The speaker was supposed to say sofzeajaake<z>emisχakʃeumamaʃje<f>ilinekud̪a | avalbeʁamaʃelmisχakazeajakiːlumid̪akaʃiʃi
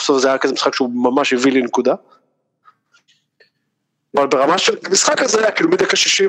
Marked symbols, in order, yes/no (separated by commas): yes, no